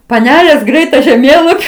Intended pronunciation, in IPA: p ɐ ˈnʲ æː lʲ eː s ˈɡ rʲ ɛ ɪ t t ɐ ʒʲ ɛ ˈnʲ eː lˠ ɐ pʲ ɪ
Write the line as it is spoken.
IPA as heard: p ɐ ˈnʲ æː lʲ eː s ˈɡ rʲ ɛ ɪ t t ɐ ʒʲ ɛ ˈmʲ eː lˠ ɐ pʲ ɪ

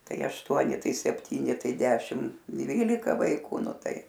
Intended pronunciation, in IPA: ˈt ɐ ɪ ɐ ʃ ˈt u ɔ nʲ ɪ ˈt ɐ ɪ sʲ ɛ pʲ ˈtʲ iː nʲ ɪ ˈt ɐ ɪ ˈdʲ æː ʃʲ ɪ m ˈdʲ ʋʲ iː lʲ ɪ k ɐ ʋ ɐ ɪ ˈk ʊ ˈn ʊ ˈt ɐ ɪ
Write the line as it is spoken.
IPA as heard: ˈt ɐ ɪ ɐ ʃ ˈt u ɔ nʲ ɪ ˈt ɐ ɪ sʲ ɛ pʲ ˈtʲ iː nʲ ɪ ˈt ɐ ɪ ˈdʲ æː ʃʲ ɪ m ˈdʲ ʋʲ iː lʲ ɪ k ɐ ʋ ɐ ɪ ˈk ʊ ˈn ʊ ˈt ɐ ɪ

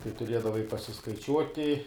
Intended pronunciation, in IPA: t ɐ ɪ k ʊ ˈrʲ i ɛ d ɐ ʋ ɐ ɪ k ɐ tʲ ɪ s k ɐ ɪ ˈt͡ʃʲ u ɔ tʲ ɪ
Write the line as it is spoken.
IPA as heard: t ɐ ɪ t ʊ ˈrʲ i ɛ d ɐ ʋ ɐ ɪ p ɐ sʲ ɪ s k ɐ ɪ ˈt͡ʃʲ u ɔ tʲ ɪ

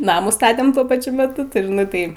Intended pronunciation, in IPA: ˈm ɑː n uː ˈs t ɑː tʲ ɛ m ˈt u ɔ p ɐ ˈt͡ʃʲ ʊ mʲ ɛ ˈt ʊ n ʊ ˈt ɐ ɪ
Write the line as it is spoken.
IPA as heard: ˈn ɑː m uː ˈs t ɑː tʲ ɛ m ˈt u ɔ p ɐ ˈt͡ʃʲ ʊ mʲ ɛ ˈt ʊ n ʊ ˈt ɐ ɪ

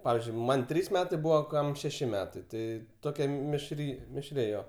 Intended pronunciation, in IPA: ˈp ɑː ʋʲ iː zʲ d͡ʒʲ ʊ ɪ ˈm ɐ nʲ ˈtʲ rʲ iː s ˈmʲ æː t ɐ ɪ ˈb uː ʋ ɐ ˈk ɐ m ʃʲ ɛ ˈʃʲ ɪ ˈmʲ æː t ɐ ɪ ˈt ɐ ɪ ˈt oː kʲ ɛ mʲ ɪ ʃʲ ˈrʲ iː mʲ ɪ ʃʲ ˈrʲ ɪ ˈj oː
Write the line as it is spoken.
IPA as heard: ˈp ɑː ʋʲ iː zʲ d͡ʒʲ ʊ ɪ ˈm ɐ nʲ ˈtʲ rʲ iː s ˈmʲ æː t ɐ ɪ ˈb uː ʋ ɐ ˈk ɐ m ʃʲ ɛ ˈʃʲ ɪ ˈmʲ æː t ɐ ɪ ˈt ɐ ɪ ˈt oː kʲ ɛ mʲ ɪ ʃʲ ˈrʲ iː mʲ ɪ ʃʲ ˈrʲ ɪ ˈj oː

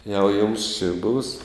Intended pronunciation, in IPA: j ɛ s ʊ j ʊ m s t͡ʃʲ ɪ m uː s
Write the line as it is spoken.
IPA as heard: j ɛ ʊ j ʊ m s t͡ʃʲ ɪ b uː s

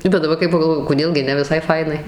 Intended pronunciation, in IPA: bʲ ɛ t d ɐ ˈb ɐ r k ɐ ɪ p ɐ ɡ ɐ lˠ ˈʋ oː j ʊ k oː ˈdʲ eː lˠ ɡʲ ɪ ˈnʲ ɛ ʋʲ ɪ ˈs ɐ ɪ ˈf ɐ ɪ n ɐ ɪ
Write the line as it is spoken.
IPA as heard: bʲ ɛ t d ɐ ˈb ɐ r k ɐ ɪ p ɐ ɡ ɐ lˠ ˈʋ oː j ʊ k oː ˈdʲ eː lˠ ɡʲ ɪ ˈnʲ ɛ ʋʲ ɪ ˈs ɐ ɪ ˈf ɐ ɪ n ɐ ɪ

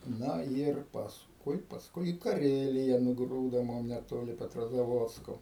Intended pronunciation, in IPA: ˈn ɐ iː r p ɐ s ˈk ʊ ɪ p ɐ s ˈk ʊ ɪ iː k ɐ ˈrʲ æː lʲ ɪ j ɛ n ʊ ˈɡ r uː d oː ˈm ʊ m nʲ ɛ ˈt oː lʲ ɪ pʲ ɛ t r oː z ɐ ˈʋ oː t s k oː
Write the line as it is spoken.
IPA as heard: ˈn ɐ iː r p ɐ s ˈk ʊ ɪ p ɐ s ˈk ʊ ɪ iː k ɐ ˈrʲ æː lʲ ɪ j ɛ n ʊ ˈɡ r uː d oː ˈm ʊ m nʲ ɛ ˈt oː lʲ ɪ pʲ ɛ t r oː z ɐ ˈʋ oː t s k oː

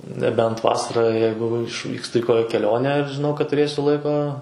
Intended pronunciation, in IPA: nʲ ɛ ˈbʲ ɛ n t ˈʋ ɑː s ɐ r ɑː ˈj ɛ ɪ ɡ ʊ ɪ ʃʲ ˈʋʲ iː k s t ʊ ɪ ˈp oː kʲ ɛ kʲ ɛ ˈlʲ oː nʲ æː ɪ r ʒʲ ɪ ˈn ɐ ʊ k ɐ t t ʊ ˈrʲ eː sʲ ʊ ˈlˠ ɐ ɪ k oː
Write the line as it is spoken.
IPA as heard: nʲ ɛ ˈbʲ ɛ n t ˈʋ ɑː s ɐ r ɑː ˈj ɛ ɪ ɡ ʊ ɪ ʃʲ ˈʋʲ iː k s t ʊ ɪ ˈk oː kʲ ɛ kʲ ɛ ˈlʲ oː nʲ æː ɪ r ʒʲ ɪ ˈn ɐ ʊ k ɐ t t ʊ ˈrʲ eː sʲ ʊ ˈlˠ ɐ ɪ k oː

